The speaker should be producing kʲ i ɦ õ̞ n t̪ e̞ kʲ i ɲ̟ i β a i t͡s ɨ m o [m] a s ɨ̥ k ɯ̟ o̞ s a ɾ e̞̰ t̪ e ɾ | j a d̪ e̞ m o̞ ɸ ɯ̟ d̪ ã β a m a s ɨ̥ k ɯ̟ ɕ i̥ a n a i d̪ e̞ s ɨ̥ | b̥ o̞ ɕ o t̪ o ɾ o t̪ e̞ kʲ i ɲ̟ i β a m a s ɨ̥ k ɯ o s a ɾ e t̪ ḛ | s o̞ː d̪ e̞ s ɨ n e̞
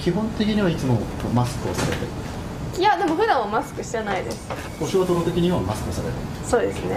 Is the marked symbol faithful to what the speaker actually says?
yes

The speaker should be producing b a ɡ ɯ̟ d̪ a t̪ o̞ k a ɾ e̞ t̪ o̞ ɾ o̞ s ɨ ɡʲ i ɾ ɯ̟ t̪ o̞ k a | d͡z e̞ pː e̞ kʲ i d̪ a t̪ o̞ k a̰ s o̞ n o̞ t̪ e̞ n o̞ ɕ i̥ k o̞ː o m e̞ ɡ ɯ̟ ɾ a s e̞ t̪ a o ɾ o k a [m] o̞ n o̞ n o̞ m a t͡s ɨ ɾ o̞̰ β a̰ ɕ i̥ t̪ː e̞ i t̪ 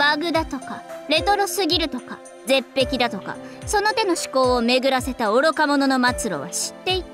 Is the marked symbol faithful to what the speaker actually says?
yes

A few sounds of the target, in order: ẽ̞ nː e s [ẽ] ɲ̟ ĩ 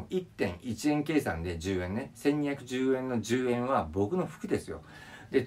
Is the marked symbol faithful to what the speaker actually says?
yes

